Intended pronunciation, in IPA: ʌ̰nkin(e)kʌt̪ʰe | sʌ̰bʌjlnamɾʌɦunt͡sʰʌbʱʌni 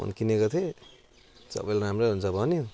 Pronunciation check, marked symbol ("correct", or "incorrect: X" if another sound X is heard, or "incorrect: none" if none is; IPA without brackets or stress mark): correct